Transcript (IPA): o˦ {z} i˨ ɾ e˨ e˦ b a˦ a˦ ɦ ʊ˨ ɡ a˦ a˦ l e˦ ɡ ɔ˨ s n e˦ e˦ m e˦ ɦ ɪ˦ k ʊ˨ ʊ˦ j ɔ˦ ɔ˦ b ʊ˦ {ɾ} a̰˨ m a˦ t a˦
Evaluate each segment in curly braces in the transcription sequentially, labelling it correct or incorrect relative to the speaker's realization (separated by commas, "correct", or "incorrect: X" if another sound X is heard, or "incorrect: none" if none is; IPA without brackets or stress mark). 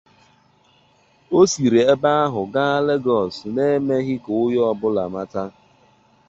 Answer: incorrect: s, incorrect: l